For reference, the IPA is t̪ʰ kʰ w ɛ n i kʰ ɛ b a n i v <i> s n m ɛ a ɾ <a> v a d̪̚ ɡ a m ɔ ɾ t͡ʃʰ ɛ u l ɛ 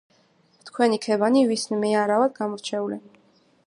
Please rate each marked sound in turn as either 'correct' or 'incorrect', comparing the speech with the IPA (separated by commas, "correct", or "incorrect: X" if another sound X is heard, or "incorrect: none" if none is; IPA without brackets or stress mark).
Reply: correct, correct